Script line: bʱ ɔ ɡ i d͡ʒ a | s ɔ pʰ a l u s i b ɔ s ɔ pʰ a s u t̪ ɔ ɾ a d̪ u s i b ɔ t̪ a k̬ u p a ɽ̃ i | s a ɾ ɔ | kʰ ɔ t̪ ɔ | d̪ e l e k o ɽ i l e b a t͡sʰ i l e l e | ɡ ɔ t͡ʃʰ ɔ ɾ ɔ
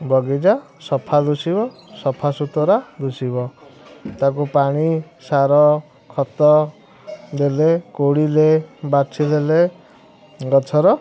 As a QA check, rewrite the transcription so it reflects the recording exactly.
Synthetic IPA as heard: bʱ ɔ ɡ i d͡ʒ a | s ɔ pʰ a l u s i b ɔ s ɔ pʰ a s u t̪ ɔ ɾ a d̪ u s i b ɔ t̪ a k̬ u p a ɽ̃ i | s a ɾ ɔ | kʰ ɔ t̪ ɔ | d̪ e l e k o ɽ i l e b a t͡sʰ i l e l e | ɡ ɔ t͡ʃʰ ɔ ɾ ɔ